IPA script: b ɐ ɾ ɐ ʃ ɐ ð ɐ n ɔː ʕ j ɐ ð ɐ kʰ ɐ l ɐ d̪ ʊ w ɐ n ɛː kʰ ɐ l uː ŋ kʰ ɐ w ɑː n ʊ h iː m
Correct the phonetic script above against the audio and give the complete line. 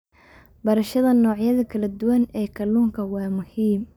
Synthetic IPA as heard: b ɐ ɾ ɐ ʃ ɐ ð ɐ n ɔː ʕ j ɐ ð ɐ kʰ ɐ l ɐ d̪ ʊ w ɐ n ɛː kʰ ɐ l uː ŋ kʰ ɐ w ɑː m ʊ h iː m